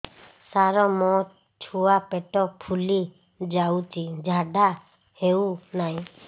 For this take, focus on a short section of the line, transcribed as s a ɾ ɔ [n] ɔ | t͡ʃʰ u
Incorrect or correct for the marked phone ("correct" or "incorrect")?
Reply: incorrect